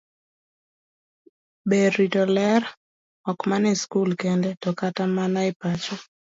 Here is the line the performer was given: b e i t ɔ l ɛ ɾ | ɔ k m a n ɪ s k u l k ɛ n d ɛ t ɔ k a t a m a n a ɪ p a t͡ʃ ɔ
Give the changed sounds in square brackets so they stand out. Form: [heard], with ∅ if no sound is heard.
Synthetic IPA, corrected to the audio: b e i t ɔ l ɛ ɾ | ɔ k m a n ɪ s k u l k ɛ n d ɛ t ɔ k a t a m a n a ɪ p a t͡ʃ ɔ